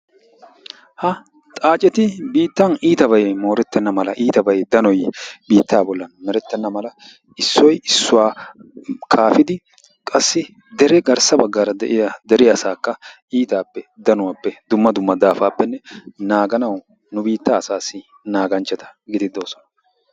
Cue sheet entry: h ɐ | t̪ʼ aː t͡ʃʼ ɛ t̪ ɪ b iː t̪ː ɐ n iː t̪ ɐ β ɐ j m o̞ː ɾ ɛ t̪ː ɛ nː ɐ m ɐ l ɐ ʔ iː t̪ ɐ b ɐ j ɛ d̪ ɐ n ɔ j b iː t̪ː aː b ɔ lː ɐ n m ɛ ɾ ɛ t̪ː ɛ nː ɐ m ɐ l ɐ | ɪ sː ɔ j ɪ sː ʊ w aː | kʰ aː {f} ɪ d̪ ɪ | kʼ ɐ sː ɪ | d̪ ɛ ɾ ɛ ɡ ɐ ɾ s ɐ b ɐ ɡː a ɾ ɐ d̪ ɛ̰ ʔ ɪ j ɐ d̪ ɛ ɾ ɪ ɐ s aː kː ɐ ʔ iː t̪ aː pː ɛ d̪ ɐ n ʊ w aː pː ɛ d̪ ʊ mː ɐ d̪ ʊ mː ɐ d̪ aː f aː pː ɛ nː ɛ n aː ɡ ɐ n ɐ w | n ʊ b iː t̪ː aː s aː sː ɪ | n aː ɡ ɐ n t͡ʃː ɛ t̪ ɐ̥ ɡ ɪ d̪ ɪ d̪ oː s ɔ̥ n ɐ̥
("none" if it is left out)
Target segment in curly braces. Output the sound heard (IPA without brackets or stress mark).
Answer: f